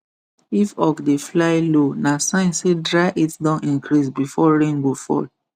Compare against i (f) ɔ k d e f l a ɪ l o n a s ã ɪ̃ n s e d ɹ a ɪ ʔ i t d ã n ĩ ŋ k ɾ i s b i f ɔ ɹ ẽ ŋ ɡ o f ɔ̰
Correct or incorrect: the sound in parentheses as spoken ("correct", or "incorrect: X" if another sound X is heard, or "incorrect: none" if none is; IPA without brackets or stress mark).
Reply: correct